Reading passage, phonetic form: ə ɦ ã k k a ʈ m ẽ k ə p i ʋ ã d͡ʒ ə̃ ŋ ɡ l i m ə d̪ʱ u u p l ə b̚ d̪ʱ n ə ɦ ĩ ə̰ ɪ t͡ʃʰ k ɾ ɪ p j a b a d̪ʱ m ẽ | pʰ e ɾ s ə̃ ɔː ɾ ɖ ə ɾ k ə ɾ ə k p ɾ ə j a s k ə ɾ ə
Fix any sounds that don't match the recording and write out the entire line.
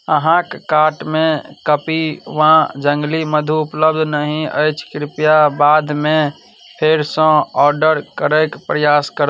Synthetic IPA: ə ɦ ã k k a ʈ m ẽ k ə p i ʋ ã d͡ʒ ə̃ ŋ ɡ l i m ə d̪ʱ u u p l ə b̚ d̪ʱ n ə ɦ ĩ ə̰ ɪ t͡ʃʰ k ɾ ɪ p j a b a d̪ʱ m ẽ | pʰ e ɾ s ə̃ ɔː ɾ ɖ ə ɾ k ə ɾ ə k p ɾ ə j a s k ə ɾ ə

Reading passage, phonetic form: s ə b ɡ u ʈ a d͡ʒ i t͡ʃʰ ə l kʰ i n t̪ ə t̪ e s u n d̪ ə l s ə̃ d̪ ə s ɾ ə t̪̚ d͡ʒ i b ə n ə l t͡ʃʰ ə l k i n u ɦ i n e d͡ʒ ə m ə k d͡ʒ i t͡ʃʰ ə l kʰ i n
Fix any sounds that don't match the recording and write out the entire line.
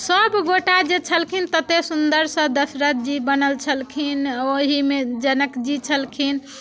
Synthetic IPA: s ə b ɡ o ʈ a d͡ʒ e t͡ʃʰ ə l kʰ i n t̪ ə t̪ e s u n d̪ ə ɾ s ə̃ d̪ ə s ɾ ə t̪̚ d͡ʒ i b ə n ə l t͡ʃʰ ə l kʰ i n o ɦ i m e d͡ʒ ə n ə k d͡ʒ i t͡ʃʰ ə l kʰ i n

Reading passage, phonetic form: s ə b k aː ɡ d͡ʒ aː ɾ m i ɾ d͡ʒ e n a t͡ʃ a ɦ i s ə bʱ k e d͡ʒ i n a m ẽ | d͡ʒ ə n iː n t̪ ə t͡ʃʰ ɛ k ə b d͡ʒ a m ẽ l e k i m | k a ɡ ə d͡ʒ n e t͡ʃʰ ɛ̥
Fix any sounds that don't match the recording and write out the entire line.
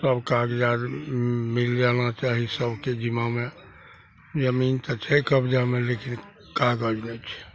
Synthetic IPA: s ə b k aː ɡ d͡ʒ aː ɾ m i l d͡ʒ a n a t͡ʃ a ɦ i s ə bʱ k e d͡ʒ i m a m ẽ | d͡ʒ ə m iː n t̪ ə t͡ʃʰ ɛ k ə b d͡ʒ a m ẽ l e k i n | k a ɡ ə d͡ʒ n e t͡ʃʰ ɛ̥

